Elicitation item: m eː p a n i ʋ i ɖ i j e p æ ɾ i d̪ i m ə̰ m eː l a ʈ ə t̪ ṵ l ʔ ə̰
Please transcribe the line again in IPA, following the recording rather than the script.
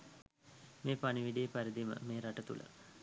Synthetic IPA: m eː p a n i ʋ i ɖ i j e p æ ɾ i d̪ i m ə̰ m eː ɾ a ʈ ə t̪ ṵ l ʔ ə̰